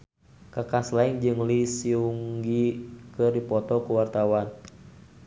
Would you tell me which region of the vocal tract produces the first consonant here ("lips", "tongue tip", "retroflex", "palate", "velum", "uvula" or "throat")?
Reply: velum